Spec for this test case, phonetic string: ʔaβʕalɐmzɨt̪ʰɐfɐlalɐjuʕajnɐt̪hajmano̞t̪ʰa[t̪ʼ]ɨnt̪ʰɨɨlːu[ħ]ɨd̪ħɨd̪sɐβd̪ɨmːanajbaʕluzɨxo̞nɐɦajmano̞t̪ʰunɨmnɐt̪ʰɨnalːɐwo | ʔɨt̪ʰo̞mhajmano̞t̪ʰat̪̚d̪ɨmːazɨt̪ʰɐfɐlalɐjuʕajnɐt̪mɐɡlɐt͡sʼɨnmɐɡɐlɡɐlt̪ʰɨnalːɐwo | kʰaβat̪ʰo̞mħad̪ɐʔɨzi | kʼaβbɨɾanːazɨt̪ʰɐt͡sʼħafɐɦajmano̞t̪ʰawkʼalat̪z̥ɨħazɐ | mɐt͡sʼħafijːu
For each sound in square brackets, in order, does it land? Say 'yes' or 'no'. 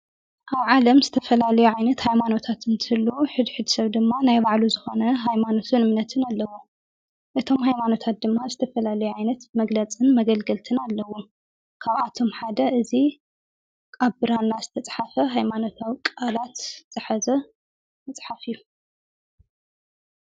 no, yes

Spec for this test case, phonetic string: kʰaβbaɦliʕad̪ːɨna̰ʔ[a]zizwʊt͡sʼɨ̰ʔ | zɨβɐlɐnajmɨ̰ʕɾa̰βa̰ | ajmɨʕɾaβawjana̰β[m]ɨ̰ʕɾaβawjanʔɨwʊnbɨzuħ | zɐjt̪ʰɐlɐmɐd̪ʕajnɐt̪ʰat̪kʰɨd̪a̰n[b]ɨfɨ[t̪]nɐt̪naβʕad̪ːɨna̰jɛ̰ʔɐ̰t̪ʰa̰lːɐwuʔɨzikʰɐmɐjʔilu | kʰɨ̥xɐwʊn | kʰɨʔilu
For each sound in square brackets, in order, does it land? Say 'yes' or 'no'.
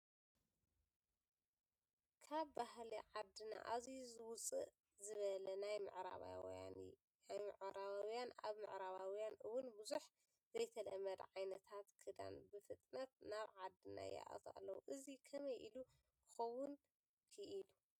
yes, yes, yes, no

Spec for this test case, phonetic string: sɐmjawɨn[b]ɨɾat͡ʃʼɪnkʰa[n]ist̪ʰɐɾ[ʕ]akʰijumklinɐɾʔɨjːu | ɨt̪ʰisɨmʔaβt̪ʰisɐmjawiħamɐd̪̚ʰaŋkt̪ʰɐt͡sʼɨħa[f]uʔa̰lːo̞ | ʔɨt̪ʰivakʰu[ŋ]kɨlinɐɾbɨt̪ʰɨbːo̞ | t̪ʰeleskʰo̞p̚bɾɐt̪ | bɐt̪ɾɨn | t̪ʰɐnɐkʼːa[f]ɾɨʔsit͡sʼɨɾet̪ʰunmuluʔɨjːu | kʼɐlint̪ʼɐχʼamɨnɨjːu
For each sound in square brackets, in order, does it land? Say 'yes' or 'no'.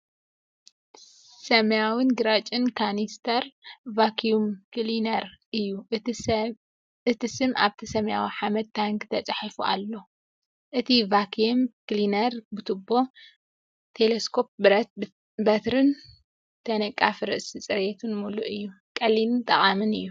no, yes, no, yes, no, yes

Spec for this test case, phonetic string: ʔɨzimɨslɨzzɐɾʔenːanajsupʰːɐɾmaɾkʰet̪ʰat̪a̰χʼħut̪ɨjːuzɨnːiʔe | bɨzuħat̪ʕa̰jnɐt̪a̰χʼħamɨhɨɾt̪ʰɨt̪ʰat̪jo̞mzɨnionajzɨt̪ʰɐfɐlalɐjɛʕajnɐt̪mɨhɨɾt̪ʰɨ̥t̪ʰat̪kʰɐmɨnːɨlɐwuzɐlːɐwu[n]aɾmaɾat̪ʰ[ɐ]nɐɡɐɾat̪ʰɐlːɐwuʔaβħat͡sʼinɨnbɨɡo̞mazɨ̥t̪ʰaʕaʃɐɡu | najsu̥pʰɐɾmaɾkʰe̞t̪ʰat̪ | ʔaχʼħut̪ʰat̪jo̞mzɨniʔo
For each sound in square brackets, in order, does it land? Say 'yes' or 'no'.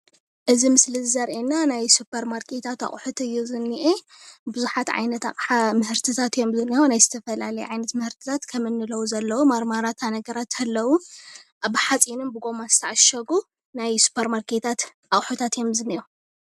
no, no

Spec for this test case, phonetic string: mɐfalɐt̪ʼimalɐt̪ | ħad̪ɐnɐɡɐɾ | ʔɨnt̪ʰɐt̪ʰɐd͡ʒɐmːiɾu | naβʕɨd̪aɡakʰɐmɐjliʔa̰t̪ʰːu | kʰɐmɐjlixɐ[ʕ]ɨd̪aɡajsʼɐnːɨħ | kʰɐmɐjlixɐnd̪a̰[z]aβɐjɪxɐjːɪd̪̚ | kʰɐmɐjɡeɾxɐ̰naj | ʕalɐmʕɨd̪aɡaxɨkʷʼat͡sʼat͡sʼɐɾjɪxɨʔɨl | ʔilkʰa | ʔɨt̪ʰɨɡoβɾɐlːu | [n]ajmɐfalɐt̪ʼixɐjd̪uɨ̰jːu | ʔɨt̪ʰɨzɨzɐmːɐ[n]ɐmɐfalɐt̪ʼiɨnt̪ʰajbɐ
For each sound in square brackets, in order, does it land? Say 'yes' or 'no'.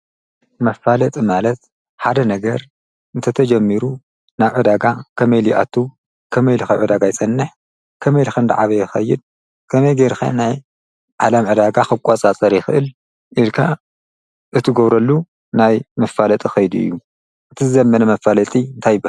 yes, no, yes, yes

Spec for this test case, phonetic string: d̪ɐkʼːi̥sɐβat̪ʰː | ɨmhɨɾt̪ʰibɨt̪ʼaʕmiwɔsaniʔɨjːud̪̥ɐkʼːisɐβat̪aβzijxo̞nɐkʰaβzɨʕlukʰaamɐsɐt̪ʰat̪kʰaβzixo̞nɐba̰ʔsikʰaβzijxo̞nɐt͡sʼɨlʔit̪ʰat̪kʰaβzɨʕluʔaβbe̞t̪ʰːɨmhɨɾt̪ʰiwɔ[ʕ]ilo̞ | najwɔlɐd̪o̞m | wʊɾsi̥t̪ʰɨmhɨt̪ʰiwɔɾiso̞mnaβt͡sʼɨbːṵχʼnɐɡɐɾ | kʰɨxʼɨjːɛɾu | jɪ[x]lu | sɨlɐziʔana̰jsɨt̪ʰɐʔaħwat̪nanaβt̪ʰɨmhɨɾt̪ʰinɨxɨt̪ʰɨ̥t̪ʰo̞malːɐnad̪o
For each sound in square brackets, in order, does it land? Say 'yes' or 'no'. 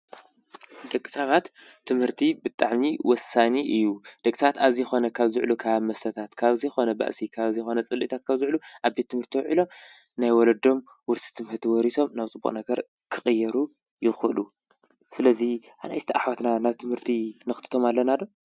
yes, yes

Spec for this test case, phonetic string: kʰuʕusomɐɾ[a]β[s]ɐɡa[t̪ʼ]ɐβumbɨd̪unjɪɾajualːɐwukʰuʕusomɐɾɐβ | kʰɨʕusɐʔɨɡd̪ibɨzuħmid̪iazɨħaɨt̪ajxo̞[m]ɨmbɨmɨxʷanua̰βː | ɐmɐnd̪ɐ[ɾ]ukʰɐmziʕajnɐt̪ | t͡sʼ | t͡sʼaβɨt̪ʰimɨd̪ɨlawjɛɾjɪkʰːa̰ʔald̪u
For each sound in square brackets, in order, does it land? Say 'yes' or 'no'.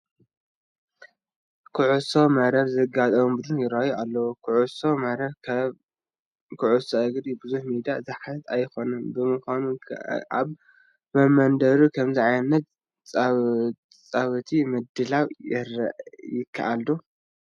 no, no, yes, no, yes

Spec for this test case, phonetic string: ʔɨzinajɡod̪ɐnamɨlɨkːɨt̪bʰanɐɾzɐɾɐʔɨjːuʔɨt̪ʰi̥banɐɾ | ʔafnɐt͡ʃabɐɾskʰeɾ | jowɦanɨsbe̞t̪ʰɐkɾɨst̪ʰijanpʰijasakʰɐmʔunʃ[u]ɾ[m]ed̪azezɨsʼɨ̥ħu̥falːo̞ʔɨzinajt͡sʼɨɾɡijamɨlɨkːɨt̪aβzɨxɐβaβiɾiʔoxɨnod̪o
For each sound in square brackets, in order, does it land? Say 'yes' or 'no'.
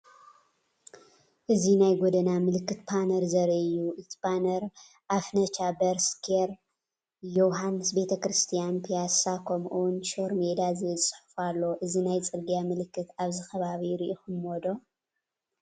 no, yes

